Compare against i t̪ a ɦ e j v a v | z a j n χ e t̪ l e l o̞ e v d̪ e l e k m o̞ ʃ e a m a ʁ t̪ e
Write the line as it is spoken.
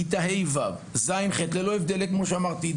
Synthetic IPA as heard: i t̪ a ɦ e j v a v | z a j n χ e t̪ l e l o̞ e v d̪ e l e k m o̞ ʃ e a m a ʁ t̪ i